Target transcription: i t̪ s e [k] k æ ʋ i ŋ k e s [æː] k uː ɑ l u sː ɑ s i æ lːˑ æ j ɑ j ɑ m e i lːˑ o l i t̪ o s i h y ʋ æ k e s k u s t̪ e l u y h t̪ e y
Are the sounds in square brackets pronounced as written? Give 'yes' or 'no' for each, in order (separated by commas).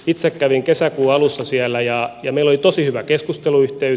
yes, no